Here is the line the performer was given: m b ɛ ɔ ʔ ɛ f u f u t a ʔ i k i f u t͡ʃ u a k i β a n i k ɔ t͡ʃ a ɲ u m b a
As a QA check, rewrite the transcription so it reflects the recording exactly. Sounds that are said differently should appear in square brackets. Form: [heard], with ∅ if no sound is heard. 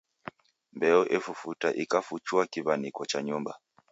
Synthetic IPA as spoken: m b ɛ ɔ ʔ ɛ f u f u t a ʔ i k [a] f u t͡ʃ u a k i β a n i k ɔ t͡ʃ a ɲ u m b a